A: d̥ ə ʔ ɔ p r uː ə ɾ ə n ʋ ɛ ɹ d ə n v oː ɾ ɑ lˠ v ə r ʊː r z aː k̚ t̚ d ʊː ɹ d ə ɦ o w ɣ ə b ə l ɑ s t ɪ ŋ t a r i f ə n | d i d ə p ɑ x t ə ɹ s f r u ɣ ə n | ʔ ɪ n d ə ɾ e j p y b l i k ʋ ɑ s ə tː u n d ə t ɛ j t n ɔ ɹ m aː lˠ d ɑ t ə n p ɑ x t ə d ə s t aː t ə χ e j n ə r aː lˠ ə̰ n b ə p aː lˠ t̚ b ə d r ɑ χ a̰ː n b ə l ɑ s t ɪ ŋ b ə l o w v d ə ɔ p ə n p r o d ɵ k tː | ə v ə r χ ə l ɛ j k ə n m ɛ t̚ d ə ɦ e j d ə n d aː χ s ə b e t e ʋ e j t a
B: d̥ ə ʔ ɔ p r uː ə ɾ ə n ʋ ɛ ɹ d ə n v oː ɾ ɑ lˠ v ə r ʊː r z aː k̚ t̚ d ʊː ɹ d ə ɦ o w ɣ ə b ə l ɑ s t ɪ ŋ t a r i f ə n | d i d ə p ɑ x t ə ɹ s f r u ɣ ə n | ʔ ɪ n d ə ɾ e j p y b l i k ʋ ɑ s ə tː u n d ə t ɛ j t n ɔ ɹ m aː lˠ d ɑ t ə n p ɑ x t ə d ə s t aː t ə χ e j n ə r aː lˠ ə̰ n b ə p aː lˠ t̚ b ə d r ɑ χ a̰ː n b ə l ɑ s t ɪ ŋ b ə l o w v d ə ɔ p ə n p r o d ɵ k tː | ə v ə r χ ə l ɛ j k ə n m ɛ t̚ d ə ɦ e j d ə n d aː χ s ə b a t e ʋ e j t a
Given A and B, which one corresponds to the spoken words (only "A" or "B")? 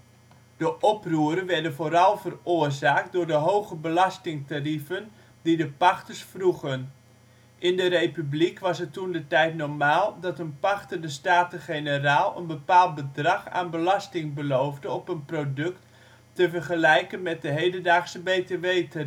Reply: A